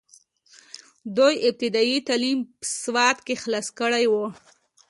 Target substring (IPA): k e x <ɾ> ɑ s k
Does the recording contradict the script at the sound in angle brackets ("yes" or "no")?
yes